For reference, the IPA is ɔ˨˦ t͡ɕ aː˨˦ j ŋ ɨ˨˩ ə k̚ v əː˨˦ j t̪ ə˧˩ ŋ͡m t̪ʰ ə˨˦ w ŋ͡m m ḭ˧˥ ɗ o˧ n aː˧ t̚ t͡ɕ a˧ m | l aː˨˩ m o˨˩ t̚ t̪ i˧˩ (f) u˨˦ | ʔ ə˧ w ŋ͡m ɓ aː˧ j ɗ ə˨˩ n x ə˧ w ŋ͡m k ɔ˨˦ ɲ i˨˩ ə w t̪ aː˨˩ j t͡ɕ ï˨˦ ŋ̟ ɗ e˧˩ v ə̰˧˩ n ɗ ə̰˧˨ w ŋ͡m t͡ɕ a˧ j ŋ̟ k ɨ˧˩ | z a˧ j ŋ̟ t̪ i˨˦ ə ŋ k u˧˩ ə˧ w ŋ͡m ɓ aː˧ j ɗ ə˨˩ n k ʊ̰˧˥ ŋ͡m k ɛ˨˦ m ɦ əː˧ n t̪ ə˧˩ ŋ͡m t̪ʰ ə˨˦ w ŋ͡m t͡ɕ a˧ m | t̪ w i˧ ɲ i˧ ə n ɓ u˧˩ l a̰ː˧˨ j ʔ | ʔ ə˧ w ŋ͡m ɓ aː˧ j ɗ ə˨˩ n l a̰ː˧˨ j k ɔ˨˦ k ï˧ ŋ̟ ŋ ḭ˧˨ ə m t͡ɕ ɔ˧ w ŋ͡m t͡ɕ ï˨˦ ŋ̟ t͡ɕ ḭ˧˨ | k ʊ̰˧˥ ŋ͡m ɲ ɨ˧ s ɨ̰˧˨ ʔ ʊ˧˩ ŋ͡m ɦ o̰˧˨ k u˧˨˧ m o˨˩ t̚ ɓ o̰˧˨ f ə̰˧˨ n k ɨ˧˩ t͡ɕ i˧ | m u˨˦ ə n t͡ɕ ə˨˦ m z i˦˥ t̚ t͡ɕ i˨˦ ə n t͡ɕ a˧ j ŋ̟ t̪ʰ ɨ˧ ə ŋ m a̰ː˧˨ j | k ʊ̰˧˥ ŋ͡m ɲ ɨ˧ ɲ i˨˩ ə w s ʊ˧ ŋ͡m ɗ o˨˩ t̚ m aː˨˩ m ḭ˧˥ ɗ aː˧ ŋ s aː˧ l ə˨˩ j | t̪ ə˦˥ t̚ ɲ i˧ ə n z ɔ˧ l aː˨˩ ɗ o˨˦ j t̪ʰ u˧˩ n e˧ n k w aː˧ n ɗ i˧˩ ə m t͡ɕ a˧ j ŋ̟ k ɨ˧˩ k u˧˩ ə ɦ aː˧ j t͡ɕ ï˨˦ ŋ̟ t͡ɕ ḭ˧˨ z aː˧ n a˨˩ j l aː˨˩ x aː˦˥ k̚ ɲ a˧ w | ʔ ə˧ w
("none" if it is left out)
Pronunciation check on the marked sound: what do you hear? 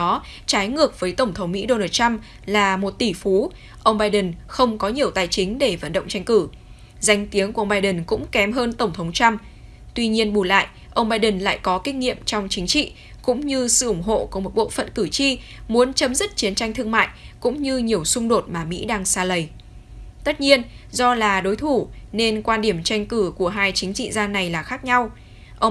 f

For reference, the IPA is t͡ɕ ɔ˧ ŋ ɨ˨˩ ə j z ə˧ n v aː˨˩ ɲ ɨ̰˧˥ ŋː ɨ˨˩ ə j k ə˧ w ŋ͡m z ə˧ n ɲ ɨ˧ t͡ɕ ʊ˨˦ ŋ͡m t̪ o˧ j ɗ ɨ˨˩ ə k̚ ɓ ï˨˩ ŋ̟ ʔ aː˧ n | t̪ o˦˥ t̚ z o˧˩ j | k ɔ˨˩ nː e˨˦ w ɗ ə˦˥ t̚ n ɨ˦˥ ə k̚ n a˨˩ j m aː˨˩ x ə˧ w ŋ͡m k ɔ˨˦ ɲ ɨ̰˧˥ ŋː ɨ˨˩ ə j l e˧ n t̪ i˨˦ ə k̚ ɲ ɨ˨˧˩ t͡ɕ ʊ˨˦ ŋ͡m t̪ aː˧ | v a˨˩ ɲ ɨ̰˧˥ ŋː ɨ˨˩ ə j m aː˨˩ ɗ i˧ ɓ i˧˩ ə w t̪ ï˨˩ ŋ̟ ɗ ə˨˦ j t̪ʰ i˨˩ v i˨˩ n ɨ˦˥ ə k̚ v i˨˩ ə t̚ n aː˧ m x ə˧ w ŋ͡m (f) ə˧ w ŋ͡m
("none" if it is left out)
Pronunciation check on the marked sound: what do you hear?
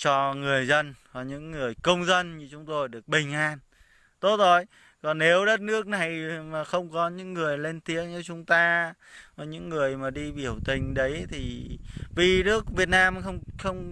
x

